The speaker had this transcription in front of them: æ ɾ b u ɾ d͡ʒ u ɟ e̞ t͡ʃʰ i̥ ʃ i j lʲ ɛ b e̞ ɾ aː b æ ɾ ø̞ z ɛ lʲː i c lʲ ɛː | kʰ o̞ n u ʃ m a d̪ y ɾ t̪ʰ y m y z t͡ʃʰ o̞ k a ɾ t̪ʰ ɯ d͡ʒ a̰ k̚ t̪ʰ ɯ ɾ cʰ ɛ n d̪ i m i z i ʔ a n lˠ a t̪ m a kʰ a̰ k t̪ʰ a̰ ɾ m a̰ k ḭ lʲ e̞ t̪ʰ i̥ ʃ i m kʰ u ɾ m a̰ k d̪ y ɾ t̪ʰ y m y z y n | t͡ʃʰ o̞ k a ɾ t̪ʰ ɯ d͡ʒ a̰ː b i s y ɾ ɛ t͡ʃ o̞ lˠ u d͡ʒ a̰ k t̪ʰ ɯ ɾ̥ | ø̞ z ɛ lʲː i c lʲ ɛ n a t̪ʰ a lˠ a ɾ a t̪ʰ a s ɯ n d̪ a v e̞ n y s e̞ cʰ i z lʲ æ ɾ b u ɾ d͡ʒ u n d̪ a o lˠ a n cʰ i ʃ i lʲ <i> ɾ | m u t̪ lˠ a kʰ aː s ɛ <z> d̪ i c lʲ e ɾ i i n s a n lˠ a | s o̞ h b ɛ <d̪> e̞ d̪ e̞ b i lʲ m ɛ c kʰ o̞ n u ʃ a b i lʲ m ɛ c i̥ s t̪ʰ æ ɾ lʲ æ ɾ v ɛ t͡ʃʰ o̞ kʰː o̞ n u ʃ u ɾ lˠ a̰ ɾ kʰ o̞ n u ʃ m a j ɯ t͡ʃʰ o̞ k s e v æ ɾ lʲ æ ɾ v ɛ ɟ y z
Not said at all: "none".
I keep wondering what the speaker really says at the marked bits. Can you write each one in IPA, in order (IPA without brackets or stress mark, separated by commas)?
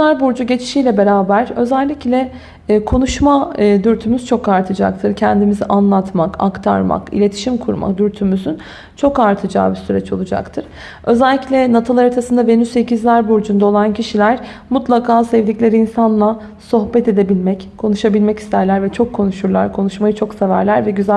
æ, v, t̪